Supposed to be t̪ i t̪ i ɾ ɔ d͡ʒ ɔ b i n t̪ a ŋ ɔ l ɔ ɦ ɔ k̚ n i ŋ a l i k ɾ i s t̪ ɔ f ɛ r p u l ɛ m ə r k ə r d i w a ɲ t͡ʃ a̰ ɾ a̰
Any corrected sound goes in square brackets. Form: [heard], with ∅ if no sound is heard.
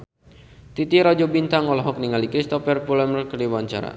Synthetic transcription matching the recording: t̪ i t̪ i ɾ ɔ d͡ʒ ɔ b i n t̪ a ŋ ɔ l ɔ ɦ ɔ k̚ n i ŋ a l i k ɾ i s t̪ ɔ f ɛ r p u l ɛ m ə r k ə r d i w a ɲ t͡ʃ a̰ ɾ a̰